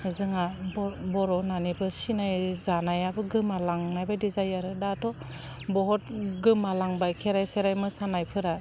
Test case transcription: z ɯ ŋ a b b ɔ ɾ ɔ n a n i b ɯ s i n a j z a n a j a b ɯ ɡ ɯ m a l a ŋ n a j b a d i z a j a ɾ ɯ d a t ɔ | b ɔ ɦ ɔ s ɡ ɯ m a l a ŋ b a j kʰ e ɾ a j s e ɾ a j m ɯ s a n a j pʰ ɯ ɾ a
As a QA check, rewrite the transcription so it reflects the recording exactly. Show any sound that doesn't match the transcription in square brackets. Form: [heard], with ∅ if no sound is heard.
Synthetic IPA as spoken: z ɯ ŋ a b b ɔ ɾ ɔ n a n i b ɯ s i n a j z a n a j a b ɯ ɡ ɯ m a l a ŋ n a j b a d i z a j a ɾ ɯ d a t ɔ | b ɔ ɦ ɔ [t] ɡ ɯ m a l a ŋ b a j kʰ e ɾ a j s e ɾ a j m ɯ s a n a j pʰ ɯ ɾ a